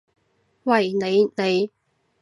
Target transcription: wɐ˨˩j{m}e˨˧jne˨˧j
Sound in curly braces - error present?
yes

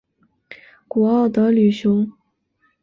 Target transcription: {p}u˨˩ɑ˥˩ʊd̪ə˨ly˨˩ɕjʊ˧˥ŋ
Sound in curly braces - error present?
yes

